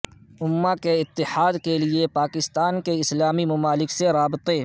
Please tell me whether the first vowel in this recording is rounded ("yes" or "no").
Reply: yes